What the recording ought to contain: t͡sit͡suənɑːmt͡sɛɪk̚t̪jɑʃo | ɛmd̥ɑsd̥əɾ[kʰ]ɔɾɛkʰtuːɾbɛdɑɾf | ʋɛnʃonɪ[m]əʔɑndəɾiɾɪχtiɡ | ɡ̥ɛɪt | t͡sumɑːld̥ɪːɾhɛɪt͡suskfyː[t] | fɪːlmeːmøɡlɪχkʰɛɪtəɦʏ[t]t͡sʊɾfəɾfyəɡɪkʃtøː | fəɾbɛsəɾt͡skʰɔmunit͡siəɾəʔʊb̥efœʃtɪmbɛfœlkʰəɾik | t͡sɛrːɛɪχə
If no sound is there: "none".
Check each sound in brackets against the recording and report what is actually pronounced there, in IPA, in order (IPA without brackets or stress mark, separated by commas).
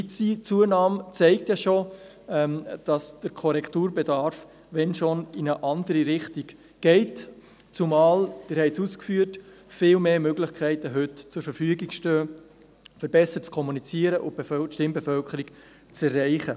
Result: kʰ, n, t, t